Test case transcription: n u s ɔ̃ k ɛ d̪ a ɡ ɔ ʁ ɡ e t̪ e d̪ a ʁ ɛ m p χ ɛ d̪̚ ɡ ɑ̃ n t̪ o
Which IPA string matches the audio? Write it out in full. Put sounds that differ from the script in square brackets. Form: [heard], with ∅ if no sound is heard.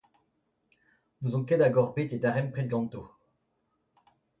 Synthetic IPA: n u [z] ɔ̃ k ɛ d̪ a ɡ ɔ ʁ [b] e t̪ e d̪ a ʁ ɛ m p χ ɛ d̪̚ ɡ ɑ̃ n t̪ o